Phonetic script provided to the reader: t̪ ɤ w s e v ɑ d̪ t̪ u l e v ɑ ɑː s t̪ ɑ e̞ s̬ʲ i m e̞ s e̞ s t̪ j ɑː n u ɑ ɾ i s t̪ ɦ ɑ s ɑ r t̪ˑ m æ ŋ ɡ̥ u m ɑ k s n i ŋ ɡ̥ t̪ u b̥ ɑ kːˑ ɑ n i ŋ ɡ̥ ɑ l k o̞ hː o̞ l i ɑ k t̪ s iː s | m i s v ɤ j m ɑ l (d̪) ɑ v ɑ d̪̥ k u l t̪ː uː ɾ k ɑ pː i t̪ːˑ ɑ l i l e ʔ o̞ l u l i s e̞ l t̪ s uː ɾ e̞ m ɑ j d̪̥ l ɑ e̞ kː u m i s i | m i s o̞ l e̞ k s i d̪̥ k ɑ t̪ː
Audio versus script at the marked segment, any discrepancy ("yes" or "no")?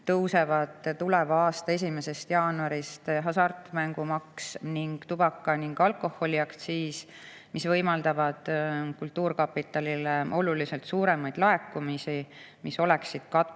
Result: no